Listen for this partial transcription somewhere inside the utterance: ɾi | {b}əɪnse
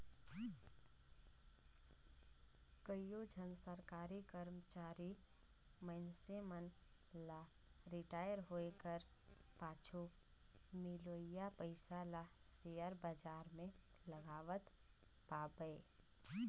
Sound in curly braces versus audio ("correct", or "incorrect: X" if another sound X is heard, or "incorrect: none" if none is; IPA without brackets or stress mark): incorrect: m